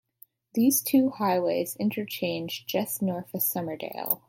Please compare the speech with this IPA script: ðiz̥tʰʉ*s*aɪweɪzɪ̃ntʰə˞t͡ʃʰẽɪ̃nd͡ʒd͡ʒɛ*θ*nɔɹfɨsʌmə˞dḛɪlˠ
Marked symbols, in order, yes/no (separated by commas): no, no